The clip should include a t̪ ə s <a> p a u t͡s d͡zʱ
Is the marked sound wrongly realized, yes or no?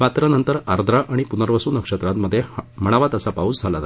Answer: no